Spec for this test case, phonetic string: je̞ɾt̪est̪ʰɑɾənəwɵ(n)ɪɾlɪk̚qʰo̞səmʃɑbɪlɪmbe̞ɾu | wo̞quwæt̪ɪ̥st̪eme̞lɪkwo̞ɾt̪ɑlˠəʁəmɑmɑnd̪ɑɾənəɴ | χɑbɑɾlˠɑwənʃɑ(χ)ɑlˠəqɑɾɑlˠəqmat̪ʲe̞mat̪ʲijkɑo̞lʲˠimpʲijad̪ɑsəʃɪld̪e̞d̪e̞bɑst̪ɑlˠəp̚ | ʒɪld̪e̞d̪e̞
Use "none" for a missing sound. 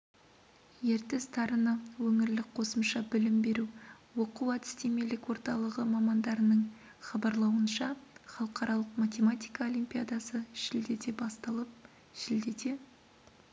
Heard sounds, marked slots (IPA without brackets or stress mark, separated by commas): ŋ, χ